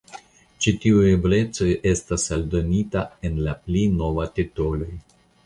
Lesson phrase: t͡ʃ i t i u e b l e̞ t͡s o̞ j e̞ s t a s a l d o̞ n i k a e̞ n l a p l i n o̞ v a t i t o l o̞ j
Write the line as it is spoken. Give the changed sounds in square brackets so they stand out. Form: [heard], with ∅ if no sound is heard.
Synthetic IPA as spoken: t͡ʃ i t i u e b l e̞ t͡s o̞ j e̞ s t a s a l d o̞ n i [t] a e̞ n l a p l i n o̞ v a t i t o l o̞ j